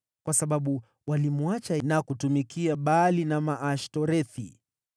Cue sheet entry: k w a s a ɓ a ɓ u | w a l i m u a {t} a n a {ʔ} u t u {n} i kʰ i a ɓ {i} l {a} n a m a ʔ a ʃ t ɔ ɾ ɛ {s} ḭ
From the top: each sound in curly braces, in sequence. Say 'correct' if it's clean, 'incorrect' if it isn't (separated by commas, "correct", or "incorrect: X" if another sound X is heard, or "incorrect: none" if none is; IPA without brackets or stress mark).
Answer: incorrect: t͡ʃ, incorrect: k, incorrect: m, incorrect: a, incorrect: i, incorrect: θ